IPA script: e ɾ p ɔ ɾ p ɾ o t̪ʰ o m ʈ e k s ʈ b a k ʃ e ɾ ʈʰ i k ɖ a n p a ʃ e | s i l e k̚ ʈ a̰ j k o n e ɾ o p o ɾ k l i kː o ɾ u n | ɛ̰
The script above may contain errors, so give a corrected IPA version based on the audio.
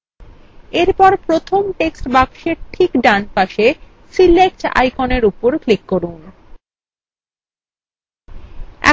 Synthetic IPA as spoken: e ɾ p ɔ ɾ p ɾ o t̪ʰ o m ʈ e k s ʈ b a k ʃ e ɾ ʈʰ i k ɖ a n p a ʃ e | s i l e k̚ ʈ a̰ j k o n e ɾ u p o ɾ k l i kː o ɾ u n | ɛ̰